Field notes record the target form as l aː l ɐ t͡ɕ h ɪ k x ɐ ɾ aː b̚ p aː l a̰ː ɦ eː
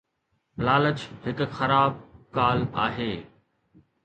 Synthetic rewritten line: l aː l ə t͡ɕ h ɪ k x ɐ ɾ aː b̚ k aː l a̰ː ɦ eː